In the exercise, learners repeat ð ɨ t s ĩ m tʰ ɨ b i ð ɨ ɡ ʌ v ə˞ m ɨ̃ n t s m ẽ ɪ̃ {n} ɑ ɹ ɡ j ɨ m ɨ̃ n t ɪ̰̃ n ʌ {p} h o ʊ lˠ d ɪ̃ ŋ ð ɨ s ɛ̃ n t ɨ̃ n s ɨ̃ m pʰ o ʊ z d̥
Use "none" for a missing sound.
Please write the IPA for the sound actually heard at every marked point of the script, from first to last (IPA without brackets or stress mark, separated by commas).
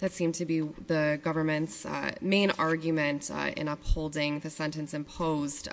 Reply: n, p